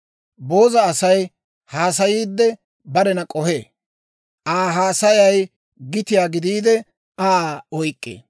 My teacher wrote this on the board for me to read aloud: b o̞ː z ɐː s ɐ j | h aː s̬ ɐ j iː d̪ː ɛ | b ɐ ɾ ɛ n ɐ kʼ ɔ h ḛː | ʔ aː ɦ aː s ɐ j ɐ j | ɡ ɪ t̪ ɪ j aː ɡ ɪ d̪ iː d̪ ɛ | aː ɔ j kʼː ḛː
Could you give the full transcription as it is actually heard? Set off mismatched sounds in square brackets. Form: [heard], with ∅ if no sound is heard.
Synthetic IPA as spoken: b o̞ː z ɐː s ɐ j | h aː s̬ ɐ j iː d̪ː ɛ | b ɐ ɾ ɛ n ɐ kʼ ɔ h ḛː | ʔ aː ɦ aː s ɐ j ɐ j | ɡ ɪ t̪ ɪ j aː ɡ ɪ d̪ iː d̪ ɛ | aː ɔ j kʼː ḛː